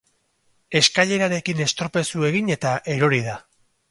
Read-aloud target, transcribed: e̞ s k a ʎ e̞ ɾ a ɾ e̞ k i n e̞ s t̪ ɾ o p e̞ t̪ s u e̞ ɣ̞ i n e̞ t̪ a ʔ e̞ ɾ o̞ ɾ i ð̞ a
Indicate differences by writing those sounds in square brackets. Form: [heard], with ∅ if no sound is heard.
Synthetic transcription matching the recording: e̞ s k a ʎ e̞ ɾ a ɾ e̞ k i n e̞ s t̪ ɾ o p e̞ [∅] s u e̞ ɣ̞ i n e̞ t̪ a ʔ e̞ ɾ o̞ ɾ i ð̞ a